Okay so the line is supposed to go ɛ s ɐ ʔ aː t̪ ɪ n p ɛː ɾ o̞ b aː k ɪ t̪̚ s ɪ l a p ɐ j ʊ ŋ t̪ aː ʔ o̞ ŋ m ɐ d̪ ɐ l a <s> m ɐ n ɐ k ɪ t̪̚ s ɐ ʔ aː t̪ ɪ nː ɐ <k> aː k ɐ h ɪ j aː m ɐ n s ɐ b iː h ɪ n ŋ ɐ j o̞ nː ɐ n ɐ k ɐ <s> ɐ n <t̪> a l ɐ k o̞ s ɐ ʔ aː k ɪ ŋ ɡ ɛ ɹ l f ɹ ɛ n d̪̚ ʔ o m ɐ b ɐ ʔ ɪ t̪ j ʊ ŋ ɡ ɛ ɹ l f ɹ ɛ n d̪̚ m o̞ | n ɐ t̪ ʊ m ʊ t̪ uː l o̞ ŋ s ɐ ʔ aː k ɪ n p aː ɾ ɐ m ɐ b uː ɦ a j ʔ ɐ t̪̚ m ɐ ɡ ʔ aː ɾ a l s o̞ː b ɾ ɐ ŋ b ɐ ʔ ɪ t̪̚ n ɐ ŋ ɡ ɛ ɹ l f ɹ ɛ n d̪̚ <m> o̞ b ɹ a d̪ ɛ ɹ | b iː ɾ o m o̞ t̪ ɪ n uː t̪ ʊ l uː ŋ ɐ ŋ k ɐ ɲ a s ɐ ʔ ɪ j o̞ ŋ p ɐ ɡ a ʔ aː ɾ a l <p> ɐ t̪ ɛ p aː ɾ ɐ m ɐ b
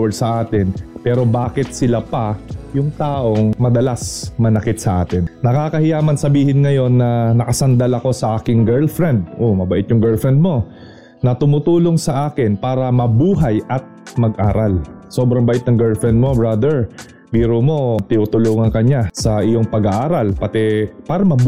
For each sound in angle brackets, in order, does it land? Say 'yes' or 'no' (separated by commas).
yes, yes, yes, no, yes, yes